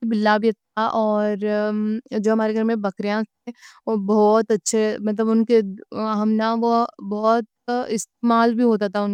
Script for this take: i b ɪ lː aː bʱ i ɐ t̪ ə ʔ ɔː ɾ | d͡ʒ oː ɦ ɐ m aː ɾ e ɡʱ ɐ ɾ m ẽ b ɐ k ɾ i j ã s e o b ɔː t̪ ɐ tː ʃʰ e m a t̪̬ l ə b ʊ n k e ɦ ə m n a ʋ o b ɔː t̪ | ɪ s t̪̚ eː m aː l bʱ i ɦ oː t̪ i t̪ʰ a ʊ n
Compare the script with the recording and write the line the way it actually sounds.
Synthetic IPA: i b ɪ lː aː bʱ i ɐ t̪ a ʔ ɔː ɾ | d͡ʒ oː ɦ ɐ m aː ɾ e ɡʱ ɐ ɾ m ẽ b ɐ k ɾ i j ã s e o b ɔː t̪ ɐ tː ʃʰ e m ɐ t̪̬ l ə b ʊ n k e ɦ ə m n a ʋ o b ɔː t̪ | ɪ s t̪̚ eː m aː l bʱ i ɦ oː t̪ a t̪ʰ a ʊ n